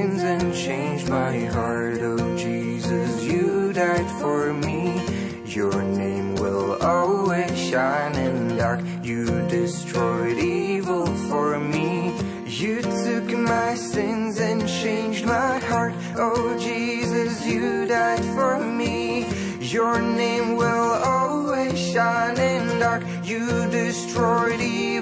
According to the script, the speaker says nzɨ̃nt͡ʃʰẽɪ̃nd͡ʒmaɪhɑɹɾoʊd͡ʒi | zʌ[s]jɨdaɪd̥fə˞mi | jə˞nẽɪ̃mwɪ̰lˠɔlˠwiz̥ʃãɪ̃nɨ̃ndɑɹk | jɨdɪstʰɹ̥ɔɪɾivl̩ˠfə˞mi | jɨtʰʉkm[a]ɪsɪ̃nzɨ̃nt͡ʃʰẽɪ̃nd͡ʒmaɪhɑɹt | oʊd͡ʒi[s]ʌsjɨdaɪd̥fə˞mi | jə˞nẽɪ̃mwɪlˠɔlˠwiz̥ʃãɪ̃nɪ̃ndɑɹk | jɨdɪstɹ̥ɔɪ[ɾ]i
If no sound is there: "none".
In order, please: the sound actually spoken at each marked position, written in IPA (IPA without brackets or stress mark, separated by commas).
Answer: s, a, z, ɾ